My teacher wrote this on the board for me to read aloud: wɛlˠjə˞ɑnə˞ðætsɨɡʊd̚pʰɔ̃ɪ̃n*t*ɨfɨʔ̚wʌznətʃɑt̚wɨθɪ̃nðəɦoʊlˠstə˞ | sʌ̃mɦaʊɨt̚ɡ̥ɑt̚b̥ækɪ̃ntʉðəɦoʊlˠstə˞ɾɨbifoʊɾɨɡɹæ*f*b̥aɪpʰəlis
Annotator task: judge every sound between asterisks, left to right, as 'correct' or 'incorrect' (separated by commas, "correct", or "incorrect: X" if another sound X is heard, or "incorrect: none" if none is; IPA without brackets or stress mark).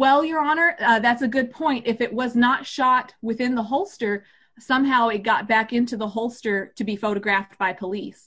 correct, correct